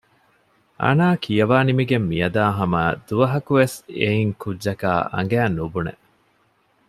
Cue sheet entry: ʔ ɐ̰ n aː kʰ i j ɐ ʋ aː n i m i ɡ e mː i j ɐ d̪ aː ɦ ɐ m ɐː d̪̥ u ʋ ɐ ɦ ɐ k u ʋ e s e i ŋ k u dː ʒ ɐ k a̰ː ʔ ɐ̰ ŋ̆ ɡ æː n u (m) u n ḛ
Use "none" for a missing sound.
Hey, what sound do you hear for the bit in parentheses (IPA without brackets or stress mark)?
b